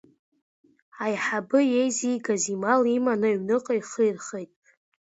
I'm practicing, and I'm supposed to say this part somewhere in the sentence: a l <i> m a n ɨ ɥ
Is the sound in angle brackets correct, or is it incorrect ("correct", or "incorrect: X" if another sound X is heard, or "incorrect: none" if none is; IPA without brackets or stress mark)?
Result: correct